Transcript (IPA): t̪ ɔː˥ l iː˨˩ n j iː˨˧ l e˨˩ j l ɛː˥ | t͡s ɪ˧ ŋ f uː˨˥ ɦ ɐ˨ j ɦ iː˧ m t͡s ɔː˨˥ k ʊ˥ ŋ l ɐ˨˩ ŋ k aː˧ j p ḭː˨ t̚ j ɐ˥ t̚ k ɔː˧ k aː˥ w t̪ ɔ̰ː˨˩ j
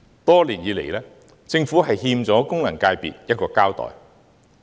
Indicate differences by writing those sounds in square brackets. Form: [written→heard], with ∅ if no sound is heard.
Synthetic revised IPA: t̪ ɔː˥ l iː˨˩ n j iː˨˧ l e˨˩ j l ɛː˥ | t͡s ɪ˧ ŋ f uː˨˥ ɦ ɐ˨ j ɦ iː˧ m t͡s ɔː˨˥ k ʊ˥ ŋ l ɐ˨˩ ŋ k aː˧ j p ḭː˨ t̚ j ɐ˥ t̚ k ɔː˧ k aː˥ w t̪ ɔ̰ː˨˩ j